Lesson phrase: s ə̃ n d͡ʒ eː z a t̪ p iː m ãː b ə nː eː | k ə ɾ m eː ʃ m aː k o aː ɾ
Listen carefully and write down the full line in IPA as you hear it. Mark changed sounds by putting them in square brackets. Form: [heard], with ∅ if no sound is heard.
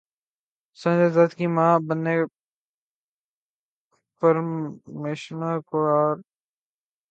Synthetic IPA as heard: s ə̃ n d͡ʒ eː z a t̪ [k] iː m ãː b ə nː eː | [p] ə ɾ m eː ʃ [n] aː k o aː ɾ